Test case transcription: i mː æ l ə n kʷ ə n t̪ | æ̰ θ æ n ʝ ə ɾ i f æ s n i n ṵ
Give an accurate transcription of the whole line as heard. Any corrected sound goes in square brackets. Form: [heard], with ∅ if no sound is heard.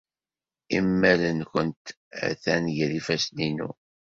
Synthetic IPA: i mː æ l ə n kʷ ə n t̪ | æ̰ θ æ n ʝ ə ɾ i f æ s n i n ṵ